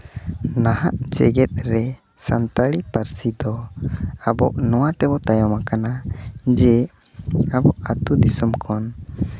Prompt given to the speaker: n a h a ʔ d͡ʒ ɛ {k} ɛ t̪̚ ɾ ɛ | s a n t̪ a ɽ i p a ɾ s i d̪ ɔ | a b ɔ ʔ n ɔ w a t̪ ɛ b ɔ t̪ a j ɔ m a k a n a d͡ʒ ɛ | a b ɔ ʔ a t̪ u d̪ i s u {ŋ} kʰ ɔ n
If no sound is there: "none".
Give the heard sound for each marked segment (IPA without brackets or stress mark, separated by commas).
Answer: ɡ, m